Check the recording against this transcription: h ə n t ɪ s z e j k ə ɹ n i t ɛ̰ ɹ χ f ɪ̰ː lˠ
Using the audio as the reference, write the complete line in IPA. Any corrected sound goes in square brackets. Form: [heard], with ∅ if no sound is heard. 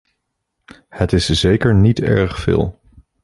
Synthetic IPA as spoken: h ə [∅] t ɪ s z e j k ə ɹ n i t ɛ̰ ɹ χ f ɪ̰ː lˠ